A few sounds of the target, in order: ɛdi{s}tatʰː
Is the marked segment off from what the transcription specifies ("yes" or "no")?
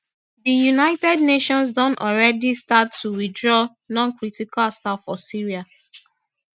no